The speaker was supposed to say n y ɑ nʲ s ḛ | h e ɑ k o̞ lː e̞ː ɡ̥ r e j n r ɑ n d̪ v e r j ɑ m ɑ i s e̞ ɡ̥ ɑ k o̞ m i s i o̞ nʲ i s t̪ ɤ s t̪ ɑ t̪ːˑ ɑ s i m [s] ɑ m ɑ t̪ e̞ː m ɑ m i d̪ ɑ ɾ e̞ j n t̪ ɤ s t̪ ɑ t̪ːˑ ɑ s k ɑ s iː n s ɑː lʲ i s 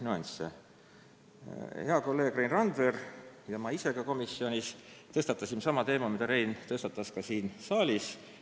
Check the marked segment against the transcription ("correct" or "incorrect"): correct